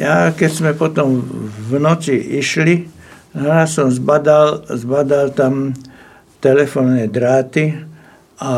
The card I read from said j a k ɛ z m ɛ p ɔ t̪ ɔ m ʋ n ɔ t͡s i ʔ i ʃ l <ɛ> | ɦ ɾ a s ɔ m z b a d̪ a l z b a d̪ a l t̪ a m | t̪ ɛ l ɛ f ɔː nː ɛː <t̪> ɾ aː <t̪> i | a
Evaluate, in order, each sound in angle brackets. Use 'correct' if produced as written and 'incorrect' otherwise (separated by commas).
incorrect, incorrect, correct